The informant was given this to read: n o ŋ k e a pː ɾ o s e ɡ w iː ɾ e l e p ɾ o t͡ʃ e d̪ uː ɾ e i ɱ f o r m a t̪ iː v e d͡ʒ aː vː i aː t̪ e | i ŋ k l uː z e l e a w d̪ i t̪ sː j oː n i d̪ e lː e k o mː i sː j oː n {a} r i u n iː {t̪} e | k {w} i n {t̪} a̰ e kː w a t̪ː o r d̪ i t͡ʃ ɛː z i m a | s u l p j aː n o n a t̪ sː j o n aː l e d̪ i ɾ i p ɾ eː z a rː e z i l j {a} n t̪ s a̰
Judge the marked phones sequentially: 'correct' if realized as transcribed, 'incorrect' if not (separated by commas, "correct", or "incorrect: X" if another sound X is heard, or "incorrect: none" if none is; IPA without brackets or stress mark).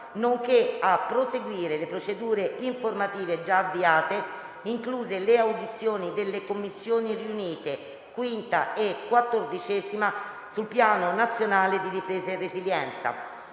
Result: incorrect: i, correct, correct, correct, incorrect: ɛ